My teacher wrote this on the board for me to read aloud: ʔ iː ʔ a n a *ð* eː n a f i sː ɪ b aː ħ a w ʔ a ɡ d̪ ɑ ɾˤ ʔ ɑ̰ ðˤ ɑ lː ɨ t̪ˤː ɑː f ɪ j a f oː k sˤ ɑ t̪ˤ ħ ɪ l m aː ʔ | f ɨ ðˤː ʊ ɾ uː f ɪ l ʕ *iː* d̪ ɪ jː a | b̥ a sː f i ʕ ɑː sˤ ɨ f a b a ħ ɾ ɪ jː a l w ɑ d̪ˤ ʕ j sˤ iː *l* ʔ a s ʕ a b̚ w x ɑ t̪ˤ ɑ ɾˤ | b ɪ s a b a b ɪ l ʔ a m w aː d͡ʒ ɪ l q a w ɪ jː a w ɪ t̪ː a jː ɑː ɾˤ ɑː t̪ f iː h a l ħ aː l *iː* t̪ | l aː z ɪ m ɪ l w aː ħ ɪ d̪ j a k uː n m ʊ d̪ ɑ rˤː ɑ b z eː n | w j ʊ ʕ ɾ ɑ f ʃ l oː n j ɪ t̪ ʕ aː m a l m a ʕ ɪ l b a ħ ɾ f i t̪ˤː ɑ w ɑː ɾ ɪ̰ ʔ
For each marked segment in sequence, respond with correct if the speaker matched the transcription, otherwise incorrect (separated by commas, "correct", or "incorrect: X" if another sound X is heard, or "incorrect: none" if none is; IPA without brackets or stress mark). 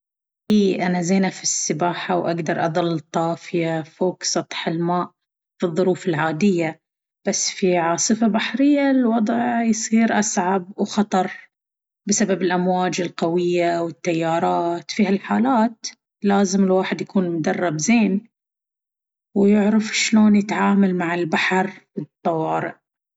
incorrect: z, incorrect: aː, incorrect: ɾ, incorrect: aː